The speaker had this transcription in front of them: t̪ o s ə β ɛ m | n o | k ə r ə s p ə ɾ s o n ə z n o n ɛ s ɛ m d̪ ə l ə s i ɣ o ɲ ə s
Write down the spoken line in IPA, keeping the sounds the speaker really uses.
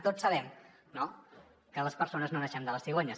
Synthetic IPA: t̪ o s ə β ɛ m | n o | k ə l ə s p ə ɾ s o n ə z n o n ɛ ʃ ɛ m d̪ ə l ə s i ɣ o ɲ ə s